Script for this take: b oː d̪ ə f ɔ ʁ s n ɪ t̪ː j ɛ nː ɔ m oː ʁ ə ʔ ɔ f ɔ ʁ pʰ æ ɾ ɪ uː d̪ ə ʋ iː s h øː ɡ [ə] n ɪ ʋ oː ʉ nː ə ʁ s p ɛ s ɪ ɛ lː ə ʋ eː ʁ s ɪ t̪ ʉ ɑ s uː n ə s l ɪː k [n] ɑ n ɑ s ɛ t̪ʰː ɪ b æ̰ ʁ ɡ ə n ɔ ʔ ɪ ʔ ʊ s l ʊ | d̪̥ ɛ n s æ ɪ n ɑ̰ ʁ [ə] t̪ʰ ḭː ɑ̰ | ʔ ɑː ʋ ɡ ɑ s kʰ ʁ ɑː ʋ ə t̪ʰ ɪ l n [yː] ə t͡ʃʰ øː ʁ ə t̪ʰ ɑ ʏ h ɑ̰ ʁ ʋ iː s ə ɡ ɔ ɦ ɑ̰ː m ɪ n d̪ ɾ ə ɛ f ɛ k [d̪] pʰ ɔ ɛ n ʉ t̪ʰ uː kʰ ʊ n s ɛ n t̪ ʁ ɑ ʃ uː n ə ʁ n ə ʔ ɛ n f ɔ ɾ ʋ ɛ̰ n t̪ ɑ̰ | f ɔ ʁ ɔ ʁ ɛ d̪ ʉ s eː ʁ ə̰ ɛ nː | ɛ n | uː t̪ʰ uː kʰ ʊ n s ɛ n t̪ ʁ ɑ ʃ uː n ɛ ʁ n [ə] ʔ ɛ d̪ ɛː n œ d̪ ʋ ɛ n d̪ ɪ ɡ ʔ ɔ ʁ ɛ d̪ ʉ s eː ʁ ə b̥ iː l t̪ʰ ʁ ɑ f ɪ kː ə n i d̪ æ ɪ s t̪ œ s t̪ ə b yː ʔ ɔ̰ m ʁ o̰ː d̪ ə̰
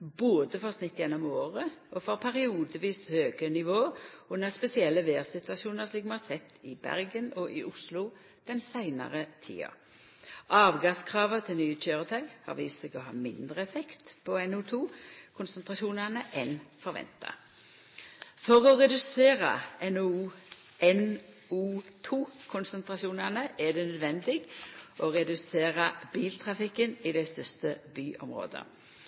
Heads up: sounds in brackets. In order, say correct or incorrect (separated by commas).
correct, incorrect, correct, correct, incorrect, correct